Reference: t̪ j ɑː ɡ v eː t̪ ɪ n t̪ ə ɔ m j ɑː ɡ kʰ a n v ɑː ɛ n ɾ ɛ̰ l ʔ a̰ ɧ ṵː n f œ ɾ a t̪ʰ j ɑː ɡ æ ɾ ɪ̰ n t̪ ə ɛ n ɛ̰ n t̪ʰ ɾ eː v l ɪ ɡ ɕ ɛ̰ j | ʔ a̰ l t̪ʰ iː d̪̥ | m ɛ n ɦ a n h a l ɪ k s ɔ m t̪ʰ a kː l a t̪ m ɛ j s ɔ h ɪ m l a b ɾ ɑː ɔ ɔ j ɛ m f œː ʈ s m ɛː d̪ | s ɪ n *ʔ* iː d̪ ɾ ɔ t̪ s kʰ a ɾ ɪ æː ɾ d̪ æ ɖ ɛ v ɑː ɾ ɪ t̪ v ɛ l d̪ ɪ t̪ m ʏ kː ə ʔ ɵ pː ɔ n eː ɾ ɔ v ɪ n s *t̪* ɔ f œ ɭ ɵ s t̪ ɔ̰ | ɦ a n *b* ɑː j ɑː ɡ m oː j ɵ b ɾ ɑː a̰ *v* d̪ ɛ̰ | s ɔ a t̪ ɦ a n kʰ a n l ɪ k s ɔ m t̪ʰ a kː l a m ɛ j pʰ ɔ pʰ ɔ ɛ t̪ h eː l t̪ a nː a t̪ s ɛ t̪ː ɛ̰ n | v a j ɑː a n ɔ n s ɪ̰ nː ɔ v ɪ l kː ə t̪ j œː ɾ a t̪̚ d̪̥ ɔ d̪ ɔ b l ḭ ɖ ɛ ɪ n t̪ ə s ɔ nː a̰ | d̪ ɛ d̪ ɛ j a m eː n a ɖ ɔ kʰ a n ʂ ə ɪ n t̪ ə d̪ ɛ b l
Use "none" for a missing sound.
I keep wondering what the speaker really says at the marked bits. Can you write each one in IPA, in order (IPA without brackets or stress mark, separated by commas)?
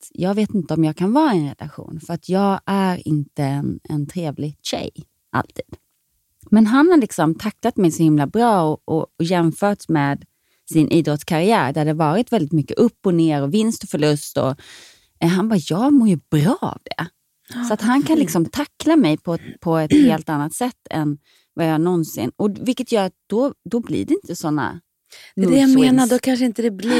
ʔ, t̪, b, v